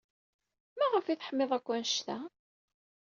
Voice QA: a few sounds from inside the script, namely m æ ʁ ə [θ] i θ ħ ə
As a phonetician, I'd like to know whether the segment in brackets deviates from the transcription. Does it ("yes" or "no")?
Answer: yes